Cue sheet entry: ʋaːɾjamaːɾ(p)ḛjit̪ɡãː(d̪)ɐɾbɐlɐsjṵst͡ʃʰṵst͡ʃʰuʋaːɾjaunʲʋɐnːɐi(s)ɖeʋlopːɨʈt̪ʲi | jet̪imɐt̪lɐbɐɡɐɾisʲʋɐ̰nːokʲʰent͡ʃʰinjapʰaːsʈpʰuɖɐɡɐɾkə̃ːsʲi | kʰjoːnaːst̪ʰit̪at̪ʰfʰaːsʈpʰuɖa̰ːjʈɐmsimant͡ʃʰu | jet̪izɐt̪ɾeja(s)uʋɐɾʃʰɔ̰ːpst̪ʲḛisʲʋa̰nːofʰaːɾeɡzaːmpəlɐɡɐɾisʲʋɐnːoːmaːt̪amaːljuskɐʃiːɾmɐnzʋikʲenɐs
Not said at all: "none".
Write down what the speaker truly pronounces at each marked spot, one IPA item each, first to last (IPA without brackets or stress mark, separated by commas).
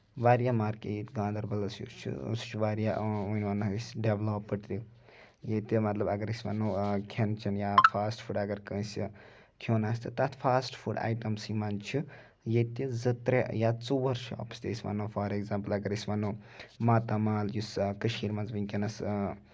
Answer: k, d̪, s, t͡s